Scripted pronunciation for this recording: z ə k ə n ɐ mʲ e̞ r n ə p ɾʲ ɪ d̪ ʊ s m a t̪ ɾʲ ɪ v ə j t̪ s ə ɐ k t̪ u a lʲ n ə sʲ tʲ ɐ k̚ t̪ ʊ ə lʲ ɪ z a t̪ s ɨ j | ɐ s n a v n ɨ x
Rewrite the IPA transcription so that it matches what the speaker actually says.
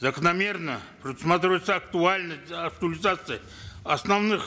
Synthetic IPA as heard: z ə k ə n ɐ mʲ e̞ r n ə p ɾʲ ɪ d̪ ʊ s m a t̪ ɾʲ ɪ v ə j t̪ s ə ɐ k t̪ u a lʲ n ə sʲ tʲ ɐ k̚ t̪ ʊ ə lʲ ɪ z a t̪ s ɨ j | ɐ s n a v n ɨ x